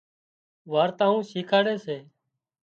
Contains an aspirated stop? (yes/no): yes